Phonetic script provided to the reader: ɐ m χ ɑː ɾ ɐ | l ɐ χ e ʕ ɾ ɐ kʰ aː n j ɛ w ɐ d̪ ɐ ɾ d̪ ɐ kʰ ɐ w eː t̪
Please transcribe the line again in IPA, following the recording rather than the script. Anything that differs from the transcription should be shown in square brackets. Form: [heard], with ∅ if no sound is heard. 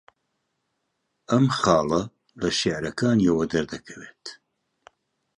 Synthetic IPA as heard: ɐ m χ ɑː [l] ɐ | l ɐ [ʃ] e ʕ ɾ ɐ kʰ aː n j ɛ w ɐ d̪ ɐ ɾ d̪ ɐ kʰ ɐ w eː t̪